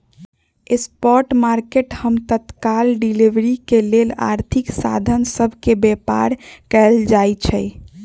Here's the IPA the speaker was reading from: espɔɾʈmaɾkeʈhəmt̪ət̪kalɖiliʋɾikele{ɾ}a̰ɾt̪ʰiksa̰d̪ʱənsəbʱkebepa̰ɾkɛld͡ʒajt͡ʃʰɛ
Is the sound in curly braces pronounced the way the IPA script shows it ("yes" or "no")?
no